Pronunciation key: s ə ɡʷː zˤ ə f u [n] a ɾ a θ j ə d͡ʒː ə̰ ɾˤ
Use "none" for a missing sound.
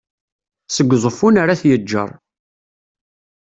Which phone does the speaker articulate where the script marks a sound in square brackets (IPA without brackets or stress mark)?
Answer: n